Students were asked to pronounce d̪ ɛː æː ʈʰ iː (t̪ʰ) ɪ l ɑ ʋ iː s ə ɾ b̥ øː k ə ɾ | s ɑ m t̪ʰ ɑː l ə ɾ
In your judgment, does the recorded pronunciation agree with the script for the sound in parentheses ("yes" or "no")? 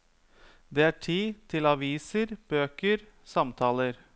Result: yes